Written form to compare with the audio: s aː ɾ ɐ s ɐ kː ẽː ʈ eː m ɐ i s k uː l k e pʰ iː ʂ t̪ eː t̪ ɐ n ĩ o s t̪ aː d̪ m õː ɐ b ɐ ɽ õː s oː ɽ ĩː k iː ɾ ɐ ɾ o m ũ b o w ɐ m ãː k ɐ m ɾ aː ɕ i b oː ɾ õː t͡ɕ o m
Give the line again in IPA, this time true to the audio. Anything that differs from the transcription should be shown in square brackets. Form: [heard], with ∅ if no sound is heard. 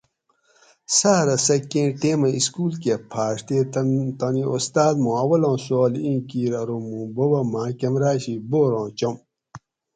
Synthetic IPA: s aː ɾ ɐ s ɐ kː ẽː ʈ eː m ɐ i s k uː l k e pʰ [aː] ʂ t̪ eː t̪ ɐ n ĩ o s t̪ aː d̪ m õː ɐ [w] ɐ [l] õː s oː [l] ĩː k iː ɾ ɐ ɾ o m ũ b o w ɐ m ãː k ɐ m ɾ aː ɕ i b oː ɾ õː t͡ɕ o m

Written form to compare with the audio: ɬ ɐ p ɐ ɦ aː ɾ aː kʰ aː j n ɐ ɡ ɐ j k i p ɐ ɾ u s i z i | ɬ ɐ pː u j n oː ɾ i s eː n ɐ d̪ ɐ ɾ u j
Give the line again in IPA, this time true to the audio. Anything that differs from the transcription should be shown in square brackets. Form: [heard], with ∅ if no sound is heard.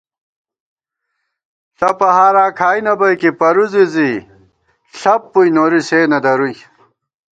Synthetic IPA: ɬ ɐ p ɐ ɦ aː ɾ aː kʰ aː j n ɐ [b] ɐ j k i p ɐ ɾ u [z] i z i | ɬ ɐ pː u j n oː ɾ i s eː n ɐ d̪ ɐ ɾ u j

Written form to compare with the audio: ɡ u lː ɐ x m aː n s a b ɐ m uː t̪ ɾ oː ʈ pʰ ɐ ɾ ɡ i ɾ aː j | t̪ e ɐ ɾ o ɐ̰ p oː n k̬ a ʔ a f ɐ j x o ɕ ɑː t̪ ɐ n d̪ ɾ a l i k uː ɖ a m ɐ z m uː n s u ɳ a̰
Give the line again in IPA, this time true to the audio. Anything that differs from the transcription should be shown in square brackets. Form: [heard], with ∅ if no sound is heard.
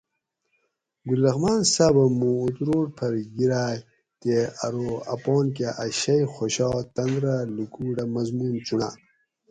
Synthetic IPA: ɡ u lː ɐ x m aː n s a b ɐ m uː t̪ ɾ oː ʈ pʰ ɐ ɾ ɡ i ɾ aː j | t̪ e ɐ ɾ o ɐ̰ p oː n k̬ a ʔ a [ɕ] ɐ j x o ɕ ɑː t̪ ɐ n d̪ ɾ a l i k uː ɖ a m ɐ z m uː n [t͡s] u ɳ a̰

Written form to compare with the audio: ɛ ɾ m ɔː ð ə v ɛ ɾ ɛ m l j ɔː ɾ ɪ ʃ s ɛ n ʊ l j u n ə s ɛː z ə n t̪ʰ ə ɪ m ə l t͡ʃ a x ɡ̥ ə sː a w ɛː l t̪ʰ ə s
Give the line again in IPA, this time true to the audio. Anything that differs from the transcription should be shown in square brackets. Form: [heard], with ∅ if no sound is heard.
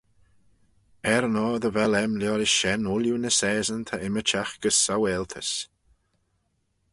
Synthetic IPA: ɛ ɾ [n] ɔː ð ə v ɛ [l] ɛ m l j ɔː ɾ ɪ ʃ [ʃ] ɛ n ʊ l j u n ə s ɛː z ə n t̪ʰ [a] ɪ m ə [∅] t͡ʃ a x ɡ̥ ə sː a w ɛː l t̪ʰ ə s

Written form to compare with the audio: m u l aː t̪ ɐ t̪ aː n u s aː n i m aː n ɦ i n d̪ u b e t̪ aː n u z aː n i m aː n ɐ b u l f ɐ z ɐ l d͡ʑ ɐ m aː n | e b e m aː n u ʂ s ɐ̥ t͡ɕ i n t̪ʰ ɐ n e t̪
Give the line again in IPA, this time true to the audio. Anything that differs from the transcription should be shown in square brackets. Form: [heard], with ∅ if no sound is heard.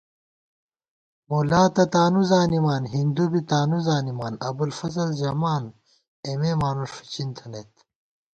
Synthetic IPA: m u l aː t̪ ɐ t̪ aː n u [z] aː n i m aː n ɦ i n d̪ u b [i] t̪ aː n u z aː n i m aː n ɐ b u l f ɐ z ɐ l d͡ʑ ɐ m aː n | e [m] e m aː n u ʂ [f] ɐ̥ t͡ɕ i n t̪ʰ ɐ n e t̪

